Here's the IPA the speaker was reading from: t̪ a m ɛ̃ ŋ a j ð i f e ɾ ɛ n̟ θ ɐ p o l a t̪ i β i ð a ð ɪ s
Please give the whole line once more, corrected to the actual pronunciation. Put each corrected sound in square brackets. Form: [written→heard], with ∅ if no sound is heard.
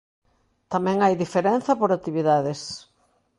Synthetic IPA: t̪ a m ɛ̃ ŋ a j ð i f e ɾ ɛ n̟ θ ɐ p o [l→ɾ] a t̪ i β i ð a ð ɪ s